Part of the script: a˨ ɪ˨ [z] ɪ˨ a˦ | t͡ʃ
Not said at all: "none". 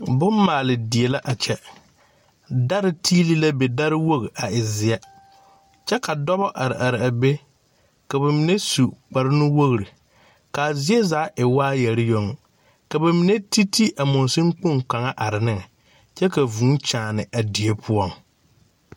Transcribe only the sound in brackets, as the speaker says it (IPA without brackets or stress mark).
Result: z